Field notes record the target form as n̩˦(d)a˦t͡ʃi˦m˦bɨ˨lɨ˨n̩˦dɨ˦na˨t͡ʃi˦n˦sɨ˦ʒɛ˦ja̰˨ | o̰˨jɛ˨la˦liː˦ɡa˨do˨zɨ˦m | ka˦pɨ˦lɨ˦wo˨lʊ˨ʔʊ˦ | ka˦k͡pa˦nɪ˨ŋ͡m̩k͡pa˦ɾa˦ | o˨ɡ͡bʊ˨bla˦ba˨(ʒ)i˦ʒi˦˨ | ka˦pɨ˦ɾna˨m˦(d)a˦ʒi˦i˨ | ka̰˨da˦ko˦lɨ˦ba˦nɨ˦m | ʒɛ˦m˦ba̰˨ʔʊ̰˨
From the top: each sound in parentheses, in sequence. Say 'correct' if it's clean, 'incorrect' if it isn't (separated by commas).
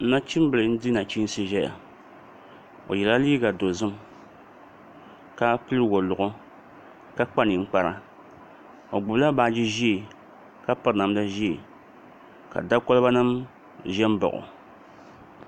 incorrect, incorrect, correct